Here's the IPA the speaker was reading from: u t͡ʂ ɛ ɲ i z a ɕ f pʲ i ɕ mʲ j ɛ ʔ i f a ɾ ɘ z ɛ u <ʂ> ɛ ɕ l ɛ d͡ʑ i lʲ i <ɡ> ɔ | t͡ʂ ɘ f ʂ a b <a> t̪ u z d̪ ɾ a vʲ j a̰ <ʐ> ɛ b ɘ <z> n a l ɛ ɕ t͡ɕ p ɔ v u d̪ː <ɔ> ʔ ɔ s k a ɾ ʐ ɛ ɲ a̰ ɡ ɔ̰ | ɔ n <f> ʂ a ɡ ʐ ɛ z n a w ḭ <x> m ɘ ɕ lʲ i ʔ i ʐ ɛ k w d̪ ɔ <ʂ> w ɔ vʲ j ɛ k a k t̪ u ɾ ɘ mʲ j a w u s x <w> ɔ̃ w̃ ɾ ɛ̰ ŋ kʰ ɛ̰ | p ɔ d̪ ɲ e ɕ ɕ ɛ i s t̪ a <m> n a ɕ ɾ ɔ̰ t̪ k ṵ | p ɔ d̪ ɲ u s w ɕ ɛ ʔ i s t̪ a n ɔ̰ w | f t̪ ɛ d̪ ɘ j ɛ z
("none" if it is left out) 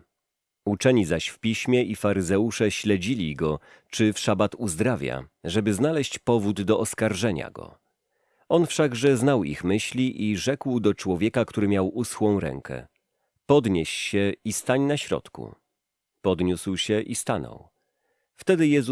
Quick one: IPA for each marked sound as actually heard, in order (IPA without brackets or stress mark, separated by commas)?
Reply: ʂ, ɡ, a, ʐ, z, ɔ, f, x, t͡ʂ, w, ɲ